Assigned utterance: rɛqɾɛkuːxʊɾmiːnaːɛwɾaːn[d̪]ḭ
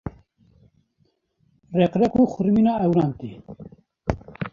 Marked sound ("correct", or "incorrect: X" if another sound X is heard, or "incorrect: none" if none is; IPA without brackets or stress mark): incorrect: t̪